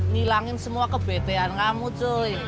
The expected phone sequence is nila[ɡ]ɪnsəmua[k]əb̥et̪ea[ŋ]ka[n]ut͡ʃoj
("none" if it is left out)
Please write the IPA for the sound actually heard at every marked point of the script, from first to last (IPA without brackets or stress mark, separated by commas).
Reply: ŋ, k, n, m